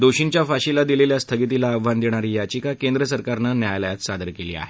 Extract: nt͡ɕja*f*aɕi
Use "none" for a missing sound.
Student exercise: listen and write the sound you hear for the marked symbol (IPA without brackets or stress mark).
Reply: f